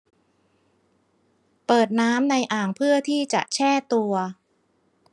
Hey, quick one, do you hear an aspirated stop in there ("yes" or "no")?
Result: yes